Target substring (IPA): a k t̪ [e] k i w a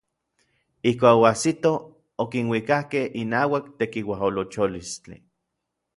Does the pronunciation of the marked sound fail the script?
no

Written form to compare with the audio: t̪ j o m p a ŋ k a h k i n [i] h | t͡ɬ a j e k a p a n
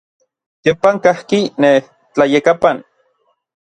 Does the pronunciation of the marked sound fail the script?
yes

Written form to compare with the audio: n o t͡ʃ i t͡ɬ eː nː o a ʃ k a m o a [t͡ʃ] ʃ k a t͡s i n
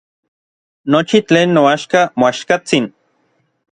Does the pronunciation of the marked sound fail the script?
yes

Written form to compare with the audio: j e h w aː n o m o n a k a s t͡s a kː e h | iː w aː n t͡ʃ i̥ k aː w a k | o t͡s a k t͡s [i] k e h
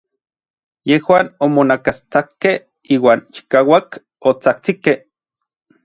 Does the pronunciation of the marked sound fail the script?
no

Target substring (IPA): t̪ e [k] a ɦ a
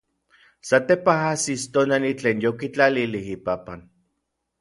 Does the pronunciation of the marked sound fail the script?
yes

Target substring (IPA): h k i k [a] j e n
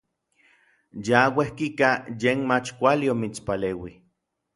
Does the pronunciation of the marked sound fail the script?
no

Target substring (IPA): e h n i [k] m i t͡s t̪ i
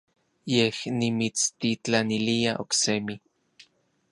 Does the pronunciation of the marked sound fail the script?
yes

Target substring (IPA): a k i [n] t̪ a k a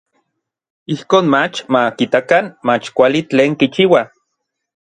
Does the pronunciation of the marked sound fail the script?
yes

